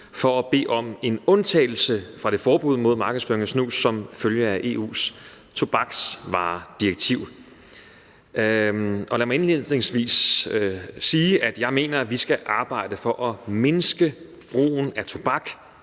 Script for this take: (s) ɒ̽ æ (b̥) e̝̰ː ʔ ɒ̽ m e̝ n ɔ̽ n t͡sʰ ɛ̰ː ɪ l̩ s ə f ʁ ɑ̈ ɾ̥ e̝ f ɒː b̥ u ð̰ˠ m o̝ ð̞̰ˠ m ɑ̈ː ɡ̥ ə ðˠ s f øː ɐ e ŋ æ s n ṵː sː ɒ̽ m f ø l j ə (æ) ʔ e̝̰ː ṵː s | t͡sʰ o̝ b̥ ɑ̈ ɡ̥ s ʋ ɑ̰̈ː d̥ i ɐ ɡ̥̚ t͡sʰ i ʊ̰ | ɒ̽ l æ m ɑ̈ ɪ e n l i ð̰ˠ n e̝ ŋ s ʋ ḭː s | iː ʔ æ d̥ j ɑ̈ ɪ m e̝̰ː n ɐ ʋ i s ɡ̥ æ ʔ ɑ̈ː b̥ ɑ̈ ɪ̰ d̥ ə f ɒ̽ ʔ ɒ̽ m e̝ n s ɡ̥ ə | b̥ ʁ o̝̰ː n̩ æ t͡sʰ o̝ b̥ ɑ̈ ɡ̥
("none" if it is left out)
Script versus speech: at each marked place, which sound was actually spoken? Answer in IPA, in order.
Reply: f, b̥, æ

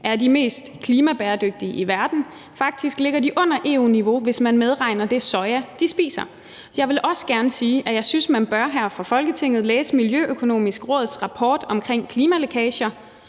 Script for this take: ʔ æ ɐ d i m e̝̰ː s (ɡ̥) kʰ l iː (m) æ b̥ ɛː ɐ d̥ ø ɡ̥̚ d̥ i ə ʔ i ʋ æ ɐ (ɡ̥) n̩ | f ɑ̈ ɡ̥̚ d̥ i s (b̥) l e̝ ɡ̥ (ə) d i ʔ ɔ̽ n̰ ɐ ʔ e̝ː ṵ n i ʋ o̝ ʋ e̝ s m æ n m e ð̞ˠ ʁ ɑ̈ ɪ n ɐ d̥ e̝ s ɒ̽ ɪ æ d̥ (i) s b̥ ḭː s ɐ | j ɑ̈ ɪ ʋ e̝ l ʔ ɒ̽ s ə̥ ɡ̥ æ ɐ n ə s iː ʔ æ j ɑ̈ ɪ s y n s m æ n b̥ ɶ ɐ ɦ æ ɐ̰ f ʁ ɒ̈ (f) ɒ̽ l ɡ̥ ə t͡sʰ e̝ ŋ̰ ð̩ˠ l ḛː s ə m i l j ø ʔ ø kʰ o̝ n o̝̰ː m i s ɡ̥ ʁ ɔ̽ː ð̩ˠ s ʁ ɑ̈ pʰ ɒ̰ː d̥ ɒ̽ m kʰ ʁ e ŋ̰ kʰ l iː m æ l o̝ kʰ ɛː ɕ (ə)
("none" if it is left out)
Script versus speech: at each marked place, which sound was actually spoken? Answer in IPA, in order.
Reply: d̥, m, d̥, ɡ̥, ɐ, i, f, ɐ

